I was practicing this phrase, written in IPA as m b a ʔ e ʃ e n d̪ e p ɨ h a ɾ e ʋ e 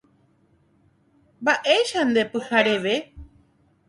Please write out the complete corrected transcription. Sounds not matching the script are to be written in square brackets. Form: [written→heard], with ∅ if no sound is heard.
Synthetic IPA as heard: m b a ʔ e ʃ [e→a] n d̪ e p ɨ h a ɾ e ʋ e